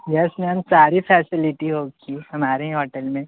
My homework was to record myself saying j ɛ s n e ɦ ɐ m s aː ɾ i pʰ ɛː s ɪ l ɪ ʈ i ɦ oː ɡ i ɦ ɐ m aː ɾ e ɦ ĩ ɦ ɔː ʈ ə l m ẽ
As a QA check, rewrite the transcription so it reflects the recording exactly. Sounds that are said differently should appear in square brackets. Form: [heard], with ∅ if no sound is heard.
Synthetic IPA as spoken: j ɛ s n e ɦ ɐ m s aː ɾ i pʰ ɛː s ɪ l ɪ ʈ i ɦ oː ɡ i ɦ ɐ m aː ɾ e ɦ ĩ ɦ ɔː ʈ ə l m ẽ